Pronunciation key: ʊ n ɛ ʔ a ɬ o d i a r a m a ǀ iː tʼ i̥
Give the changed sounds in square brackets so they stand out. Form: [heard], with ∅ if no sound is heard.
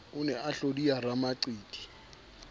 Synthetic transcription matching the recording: ʊ n ɛ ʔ a ɬ o d i a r a m a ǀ iː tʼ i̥